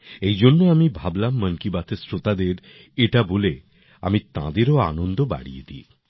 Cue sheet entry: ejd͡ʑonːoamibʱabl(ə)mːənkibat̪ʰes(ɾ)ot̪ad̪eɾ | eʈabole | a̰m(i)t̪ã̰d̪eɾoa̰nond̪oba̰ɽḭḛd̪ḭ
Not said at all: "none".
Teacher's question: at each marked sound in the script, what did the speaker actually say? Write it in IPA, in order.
a, ɾ, i

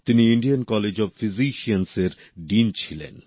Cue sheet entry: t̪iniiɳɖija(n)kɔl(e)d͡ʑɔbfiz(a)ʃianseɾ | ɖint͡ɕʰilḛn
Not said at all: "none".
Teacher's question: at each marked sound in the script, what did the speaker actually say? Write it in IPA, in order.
n, e, i

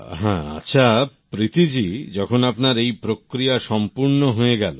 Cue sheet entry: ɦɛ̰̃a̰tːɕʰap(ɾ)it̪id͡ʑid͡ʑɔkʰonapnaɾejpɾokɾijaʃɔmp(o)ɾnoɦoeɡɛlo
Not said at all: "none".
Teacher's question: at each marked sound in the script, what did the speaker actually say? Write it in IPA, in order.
ɾ, u

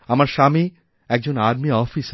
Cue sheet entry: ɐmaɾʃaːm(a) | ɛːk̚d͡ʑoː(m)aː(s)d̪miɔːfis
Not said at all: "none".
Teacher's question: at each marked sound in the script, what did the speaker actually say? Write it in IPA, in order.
i, n, none

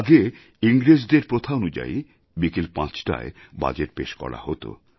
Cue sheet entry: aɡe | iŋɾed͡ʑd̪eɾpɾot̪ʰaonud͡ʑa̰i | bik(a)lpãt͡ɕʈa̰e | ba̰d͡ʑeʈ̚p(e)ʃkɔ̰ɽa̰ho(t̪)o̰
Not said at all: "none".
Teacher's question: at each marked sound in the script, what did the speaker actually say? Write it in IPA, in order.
e, e, t̪

